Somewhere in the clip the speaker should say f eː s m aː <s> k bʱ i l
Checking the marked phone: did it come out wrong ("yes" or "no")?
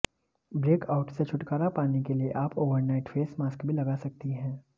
no